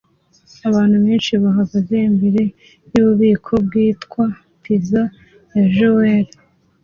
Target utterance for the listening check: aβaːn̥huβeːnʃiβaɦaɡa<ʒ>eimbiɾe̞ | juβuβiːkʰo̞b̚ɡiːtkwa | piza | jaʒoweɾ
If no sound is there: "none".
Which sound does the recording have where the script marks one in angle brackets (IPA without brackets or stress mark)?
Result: z